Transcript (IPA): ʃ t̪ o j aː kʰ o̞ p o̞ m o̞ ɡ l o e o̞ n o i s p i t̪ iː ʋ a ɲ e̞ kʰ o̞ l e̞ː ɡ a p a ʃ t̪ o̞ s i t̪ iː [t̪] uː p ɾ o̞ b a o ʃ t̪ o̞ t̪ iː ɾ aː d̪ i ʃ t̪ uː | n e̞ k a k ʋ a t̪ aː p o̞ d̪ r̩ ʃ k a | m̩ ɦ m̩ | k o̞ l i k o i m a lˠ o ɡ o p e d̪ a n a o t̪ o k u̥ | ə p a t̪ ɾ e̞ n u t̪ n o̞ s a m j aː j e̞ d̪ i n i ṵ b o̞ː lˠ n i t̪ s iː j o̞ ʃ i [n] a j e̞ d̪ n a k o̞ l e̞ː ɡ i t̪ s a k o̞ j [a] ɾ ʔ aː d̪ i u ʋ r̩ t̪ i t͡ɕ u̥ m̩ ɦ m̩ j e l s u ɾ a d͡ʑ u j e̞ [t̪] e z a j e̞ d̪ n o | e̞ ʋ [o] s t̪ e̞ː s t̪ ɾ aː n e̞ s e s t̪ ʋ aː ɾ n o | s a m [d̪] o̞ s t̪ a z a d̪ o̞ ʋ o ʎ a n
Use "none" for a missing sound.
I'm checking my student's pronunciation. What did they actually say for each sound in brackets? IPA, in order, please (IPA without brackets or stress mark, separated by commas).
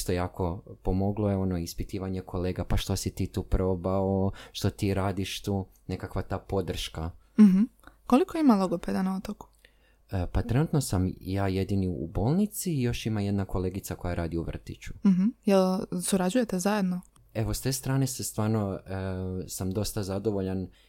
t̪, m, a, t̪, o, d̪